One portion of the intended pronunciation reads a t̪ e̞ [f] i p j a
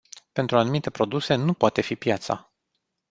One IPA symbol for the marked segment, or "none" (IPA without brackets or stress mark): f